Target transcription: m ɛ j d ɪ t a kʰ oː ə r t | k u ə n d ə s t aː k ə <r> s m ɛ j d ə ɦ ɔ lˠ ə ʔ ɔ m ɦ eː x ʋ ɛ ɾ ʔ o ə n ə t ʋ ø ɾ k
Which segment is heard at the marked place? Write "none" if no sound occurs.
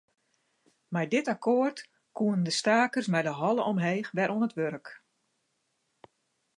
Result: r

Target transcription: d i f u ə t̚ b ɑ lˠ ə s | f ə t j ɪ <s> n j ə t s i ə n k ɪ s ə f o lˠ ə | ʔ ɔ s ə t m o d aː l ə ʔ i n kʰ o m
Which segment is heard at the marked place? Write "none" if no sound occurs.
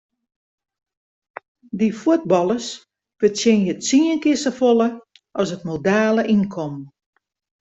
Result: none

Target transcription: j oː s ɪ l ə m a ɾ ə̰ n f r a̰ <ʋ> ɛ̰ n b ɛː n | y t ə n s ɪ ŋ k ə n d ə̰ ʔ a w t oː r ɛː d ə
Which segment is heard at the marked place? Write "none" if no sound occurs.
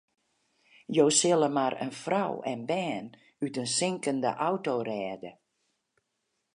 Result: w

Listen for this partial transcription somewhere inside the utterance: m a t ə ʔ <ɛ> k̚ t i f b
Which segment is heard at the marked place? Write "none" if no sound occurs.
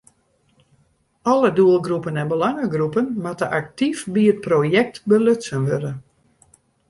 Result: a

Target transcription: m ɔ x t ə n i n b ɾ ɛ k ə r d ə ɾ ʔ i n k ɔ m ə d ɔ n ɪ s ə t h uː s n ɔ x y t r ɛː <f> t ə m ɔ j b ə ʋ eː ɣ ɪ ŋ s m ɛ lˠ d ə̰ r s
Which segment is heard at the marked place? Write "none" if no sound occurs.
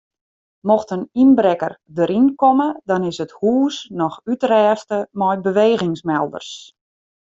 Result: s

